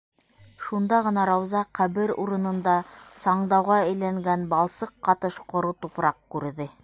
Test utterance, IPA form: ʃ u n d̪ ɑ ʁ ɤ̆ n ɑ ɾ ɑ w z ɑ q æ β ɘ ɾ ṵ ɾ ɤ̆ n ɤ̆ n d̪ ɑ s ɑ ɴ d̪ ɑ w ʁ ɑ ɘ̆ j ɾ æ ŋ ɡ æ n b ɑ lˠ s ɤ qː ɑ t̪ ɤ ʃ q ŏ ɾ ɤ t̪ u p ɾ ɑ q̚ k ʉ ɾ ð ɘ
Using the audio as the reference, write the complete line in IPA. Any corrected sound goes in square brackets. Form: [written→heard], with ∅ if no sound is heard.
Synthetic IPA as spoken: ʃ u n d̪ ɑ ʁ ɤ̆ n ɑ ɾ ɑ w z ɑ q æ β ɘ ɾ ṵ ɾ ɤ̆ n ɤ̆ n d̪ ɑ s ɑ ɴ d̪ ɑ w ʁ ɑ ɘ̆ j [ɾ→l] æ ŋ ɡ æ n b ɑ lˠ s ɤ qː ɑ t̪ ɤ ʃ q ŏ ɾ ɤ t̪ u p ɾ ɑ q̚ k ʉ ɾ ð ɘ